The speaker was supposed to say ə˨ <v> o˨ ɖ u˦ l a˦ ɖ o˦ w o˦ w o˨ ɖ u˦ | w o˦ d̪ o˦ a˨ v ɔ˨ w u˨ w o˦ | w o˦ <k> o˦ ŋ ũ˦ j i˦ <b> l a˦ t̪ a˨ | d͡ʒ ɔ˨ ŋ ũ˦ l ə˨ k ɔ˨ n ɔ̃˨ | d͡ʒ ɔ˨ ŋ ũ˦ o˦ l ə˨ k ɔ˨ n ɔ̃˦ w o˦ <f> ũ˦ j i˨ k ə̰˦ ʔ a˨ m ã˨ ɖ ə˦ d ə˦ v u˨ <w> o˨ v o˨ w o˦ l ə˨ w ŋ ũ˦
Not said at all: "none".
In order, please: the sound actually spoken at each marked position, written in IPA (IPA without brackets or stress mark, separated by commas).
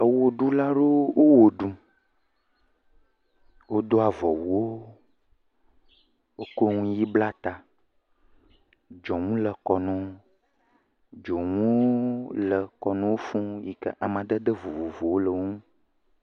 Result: w, k, b, f, v